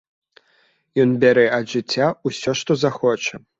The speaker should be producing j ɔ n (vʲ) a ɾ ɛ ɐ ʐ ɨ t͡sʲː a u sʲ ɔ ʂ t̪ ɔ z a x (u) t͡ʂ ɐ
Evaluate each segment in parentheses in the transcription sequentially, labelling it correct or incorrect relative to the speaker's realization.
incorrect, incorrect

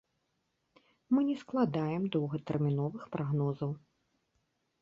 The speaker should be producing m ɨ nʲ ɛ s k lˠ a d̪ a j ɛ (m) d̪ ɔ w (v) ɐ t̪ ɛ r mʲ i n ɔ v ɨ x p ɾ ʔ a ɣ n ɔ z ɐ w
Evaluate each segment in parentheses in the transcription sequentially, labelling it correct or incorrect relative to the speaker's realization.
correct, incorrect

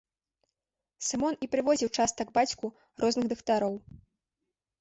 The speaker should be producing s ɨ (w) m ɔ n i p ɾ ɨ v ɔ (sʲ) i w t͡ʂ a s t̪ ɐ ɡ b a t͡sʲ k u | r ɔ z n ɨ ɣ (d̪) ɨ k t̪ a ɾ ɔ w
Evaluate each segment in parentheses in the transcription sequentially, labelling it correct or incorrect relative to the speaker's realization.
incorrect, incorrect, correct

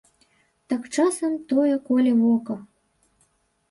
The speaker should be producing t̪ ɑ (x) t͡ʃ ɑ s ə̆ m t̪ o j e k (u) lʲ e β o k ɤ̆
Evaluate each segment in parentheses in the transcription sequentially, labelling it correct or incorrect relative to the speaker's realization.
incorrect, incorrect

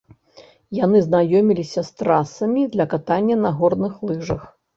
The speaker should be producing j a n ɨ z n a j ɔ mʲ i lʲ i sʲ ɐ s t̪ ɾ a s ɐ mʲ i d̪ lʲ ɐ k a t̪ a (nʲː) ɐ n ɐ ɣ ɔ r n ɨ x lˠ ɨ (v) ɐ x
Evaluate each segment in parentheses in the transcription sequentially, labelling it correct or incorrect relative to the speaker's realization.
correct, incorrect

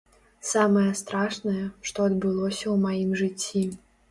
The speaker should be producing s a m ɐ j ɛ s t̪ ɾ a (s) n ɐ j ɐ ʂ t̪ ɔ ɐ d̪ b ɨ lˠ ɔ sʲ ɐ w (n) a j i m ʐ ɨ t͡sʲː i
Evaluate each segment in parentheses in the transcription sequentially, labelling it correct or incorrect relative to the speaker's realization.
incorrect, incorrect

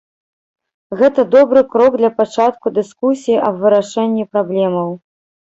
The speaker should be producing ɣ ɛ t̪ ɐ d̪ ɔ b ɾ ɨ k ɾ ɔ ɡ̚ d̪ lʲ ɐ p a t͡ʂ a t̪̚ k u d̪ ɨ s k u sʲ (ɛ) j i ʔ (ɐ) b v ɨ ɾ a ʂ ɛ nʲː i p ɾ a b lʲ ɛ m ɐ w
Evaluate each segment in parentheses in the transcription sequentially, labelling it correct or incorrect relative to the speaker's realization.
incorrect, correct

